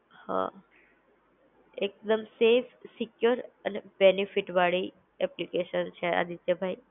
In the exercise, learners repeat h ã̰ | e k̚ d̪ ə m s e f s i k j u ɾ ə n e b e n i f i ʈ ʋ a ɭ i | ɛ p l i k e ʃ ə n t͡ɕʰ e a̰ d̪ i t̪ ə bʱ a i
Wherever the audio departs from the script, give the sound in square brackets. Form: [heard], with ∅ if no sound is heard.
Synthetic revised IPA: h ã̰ | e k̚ d̪ ə m s e f s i k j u ɾ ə n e b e n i f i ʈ ʋ a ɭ i | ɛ p l i k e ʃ ə n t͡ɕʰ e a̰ d̪ i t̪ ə bʱ a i